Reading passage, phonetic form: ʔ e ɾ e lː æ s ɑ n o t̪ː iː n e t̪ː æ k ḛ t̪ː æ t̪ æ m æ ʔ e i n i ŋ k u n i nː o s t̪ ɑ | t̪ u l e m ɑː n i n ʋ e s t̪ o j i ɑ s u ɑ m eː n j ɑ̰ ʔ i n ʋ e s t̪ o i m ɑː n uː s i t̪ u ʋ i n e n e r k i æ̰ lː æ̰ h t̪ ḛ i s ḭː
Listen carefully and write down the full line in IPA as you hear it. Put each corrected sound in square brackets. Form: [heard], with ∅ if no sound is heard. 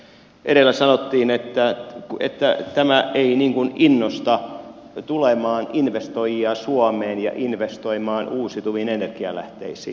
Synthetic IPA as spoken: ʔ e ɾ e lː æ s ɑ n o t̪ː iː n e t̪ː æ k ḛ t̪ː æ t̪ æ m æ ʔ e i n i ŋ k u n i nː o s t̪ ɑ | t̪ u l e m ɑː n i n ʋ e s t̪ o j i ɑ s u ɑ m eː n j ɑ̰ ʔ i n ʋ e s t̪ o i m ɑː n uː s i t̪ u ʋ i n e n e r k i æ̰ [l] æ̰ h t̪ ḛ i s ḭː